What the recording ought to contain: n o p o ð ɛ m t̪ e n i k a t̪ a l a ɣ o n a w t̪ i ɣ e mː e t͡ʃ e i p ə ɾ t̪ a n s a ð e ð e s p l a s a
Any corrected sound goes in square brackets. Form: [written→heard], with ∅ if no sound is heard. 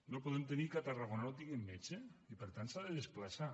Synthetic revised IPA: n o p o ð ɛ m t̪ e n i k a t̪ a [l→r] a ɣ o n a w t̪ i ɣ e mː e t͡ʃ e i p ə ɾ t̪ a n s a ð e ð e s p l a s a